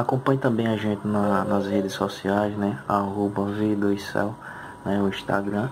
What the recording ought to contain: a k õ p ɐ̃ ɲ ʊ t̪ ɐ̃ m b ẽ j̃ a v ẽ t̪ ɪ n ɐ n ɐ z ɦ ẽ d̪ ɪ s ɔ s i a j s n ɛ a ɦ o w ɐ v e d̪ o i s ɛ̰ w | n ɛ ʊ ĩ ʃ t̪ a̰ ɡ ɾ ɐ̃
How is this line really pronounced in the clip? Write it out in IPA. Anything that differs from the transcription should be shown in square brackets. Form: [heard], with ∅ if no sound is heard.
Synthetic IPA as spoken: a k õ p ɐ̃ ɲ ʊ t̪ ɐ̃ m b ẽ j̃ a [ʒ] ẽ t̪ ɪ n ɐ n ɐ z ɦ [e] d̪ ɪ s ɔ s i a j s n ɛ a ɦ o [b] ɐ v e d̪ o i s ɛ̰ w | n ɛ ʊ ĩ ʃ t̪ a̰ ɡ ɾ ɐ̃